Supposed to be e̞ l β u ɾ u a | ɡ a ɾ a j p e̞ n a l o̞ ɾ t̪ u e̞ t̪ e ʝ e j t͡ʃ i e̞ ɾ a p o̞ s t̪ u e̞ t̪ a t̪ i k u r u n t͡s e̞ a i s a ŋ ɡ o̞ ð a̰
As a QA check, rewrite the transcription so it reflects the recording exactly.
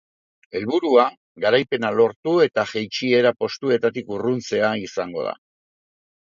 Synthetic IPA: e̞ l β u ɾ u a | ɡ a ɾ a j p e̞ n a l o̞ ɾ t̪ u e̞ t̪ a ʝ e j t͡ʃ i e̞ ɾ a p o̞ s t̪ u e̞ t̪ a t̪ i k u r u n t͡s e̞ a i s a ŋ ɡ o̞ ð a̰

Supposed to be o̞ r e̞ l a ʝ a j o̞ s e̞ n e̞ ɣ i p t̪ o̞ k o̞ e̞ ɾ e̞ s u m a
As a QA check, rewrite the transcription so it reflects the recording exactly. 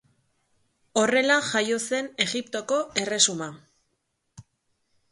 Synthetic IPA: o̞ r e̞ l a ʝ a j o̞ s e̞ n e̞ ɣ i p t̪ o̞ k o̞ e̞ r e̞ s u m a

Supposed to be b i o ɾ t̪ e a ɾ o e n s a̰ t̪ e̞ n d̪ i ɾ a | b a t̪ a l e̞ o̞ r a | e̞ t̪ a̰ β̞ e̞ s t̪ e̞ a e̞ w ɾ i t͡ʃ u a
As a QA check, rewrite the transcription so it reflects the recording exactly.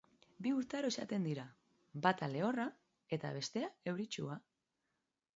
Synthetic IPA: b i u ɾ t̪ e a ɾ o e s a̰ t̪ e̞ n d̪ i ɾ a | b a t̪ a l e̞ o̞ r a | e̞ t̪ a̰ β̞ e̞ s t̪ e̞ a e̞ w ɾ i t͡ʃ u a

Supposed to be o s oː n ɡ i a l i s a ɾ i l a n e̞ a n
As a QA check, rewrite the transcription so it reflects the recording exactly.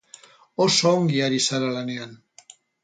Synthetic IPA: o s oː ŋ ɡ i a ɾ i s a ɾ a l a n e̞ a n

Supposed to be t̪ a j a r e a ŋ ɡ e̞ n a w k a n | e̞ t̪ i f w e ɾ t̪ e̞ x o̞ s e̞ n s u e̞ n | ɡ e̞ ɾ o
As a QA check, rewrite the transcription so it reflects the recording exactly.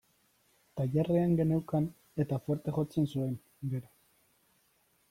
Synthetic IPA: t̪ a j a r e a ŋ ɡ e̞ n e w k a n | e̞ t̪ a f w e ɾ t̪ e̞ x o̞ t͡s e̞ n s u e̞ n | ɡ e̞ ɾ o

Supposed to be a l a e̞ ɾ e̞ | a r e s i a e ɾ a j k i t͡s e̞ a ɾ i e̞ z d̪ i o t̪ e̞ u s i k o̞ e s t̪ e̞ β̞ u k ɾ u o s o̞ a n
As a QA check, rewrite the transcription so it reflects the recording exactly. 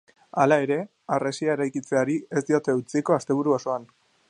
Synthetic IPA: a l a e̞ ɾ e̞ | a r e s i a e ɾ a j k i t͡s e̞ a ɾ i e̞ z d̪ i o t̪ e̞ u t͡s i k o̞ a s t̪ e̞ β̞ u ɾ u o s o̞ a n

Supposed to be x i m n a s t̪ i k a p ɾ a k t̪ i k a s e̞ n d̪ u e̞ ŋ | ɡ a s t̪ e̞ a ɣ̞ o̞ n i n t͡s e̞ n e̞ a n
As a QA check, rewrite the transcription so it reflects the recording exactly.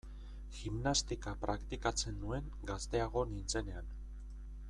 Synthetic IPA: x i m n a s t̪ i k a p ɾ a k t̪ i k a t͡s e̞ n d̪ u e̞ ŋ | ɡ a s t̪ e̞ a ɣ̞ o̞ n i n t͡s e̞ n e̞ a n

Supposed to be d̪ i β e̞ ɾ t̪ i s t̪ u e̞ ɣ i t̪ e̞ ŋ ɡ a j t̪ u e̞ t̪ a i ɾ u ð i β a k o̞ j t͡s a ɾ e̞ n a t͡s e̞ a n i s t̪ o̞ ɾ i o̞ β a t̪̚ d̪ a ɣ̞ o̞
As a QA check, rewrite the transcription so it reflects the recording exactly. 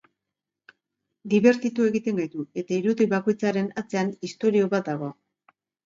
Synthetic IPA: d̪ i β e̞ ɾ t̪ i t̪ u e̞ ɣ i t̪ e̞ ŋ ɡ a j t̪ u e̞ t̪ a i ɾ u ð i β a k o̞ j t͡s a ɾ e̞ n a t͡s e̞ a n i s t̪ o̞ ɾ i o̞ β a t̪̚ d̪ a ɣ̞ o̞

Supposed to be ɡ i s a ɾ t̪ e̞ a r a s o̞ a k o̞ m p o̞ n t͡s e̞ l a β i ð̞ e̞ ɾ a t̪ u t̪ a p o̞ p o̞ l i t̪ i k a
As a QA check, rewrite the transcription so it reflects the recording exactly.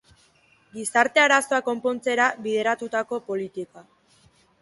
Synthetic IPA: ɡ i s a ɾ t̪ e̞ a ɾ a s o̞ a k o̞ m p o̞ n t͡s e̞ ɾ a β i ð̞ e̞ ɾ a t̪ u t̪ a k o̞ p o̞ l i t̪ i k a

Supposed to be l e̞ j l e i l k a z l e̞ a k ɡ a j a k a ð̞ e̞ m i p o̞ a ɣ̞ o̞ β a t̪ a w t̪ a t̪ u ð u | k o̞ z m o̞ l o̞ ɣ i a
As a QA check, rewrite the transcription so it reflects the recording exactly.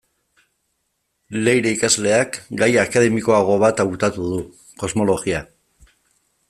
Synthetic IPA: l e̞ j ɾ e i k a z l e̞ a k ɡ a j a k a ð̞ e̞ m i k o̞ a ɣ̞ o̞ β a t̪ a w t̪ a t̪ u ð u | k o̞ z m o̞ l o̞ ɣ i a

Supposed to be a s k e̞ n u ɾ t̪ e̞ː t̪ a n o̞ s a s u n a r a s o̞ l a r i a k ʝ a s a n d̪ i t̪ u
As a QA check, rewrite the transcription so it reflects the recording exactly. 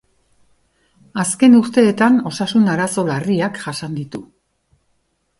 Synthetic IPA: a s k e̞ n u ɾ t̪ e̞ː t̪ a n o̞ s a s u n a ɾ a s o̞ l a r i a k ʝ a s a n d̪ i t̪ u

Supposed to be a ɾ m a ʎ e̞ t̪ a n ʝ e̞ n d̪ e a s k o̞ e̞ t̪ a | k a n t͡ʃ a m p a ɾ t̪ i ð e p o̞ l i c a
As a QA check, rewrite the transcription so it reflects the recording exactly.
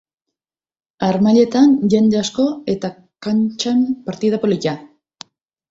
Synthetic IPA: a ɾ m a ʎ e̞ t̪ a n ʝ e̞ n d̪ e a s k o̞ e̞ t̪ a | k a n t͡ʃ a m p a ɾ t̪ i ð a p o̞ l i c a

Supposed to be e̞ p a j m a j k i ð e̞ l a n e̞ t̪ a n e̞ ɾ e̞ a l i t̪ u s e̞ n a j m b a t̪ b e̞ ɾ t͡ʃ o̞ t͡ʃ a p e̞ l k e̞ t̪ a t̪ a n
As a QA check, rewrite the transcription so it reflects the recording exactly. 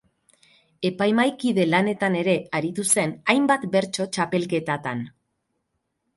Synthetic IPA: e̞ p a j m a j k i ð e̞ l a n e̞ t̪ a n e̞ ɾ e̞ a ɾ i t̪ u s e̞ n a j m b a t̪ b e̞ ɾ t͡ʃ o̞ t͡ʃ a p e̞ l k e̞ t̪ a t̪ a n

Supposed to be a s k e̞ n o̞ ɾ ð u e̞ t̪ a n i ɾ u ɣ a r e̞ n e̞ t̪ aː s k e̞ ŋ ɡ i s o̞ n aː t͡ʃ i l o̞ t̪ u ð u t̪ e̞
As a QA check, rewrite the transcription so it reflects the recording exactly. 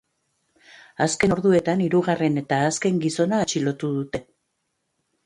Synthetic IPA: a s k e̞ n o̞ ɾ ð u e̞ t̪ a n i ɾ u ɣ a r e̞ n e̞ t̪ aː s k e̞ ŋ ɡ i s o̞ n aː t͡ʃ i l o̞ t̪ u ð u t̪ e̞

